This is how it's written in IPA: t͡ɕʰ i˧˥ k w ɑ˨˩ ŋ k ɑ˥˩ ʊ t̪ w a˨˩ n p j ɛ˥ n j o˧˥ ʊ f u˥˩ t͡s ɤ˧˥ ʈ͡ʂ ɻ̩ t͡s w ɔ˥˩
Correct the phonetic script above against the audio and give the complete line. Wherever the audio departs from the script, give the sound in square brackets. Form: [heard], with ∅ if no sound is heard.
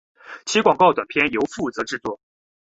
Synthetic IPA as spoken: t͡ɕʰ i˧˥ k w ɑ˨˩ ŋ k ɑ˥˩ ʊ t̪ w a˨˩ n [pʰ] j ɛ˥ n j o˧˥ ʊ f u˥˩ t͡s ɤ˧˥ ʈ͡ʂ ɻ̩ t͡s w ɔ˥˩